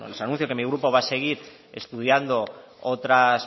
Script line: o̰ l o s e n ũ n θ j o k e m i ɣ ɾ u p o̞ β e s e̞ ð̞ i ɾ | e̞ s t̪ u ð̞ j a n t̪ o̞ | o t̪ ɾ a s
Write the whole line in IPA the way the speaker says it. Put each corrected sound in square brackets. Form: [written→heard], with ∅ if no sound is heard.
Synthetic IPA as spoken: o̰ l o s [e→a] n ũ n θ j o k e m i ɣ ɾ u p o̞ β [e→a] s e̞ [ð̞→ɣ̞] i ɾ | e̞ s t̪ u ð̞ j a n [t̪→d̪] o̞ | o t̪ ɾ a s